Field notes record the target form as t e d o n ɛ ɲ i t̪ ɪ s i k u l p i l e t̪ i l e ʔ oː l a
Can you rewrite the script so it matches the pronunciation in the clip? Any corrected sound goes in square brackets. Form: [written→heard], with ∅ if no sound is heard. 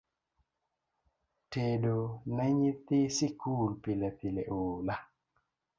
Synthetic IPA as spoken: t e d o n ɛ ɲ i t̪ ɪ s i k u l p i l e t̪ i l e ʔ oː l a